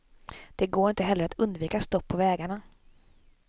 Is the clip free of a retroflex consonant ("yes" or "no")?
no